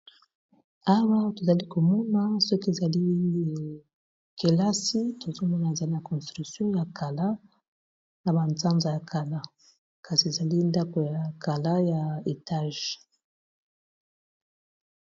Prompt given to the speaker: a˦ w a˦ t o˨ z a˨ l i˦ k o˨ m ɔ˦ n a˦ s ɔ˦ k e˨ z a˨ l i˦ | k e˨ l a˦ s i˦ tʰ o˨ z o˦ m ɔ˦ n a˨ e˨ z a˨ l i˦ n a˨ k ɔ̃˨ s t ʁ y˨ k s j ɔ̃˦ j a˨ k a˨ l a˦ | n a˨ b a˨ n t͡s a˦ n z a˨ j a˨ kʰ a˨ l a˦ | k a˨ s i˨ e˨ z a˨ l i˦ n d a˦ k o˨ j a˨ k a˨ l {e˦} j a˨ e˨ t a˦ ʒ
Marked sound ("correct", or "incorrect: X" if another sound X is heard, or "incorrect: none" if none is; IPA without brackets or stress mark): incorrect: a˦